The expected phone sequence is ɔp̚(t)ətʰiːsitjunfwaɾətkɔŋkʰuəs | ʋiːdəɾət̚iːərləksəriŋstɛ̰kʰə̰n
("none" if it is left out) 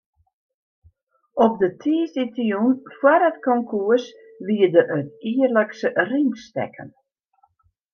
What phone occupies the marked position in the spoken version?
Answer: d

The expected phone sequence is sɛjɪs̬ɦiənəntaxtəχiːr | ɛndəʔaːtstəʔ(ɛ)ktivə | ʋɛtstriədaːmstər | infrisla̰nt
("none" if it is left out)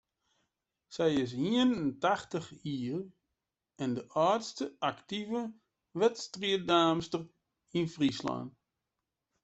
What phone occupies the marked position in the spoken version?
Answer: a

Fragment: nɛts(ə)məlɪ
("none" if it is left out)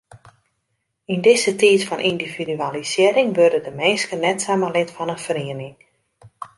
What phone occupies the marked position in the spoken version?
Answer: a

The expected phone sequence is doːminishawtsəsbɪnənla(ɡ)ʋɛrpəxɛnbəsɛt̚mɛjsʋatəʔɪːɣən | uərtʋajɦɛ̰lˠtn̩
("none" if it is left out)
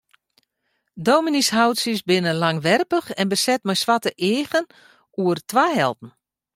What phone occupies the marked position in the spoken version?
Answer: ŋ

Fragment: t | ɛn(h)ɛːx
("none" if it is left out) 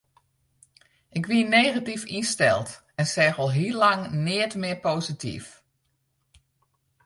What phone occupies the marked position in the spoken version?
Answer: s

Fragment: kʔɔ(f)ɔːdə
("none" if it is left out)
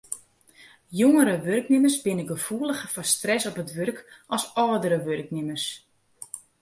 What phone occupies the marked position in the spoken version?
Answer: s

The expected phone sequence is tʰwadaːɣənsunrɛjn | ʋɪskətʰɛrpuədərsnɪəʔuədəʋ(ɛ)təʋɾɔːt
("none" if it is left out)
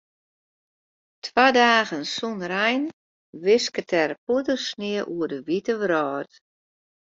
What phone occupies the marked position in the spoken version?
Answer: i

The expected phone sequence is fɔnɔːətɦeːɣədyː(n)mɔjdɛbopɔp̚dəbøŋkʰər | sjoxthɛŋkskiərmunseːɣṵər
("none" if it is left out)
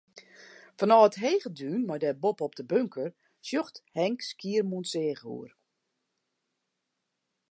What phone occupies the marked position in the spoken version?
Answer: n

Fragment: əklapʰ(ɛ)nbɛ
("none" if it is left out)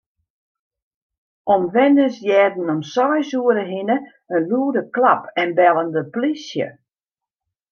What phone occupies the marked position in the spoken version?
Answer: ɛ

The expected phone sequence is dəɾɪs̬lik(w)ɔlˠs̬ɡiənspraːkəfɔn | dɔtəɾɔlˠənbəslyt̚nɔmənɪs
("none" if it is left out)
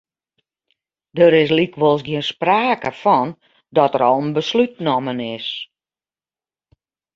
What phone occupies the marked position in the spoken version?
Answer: ʋ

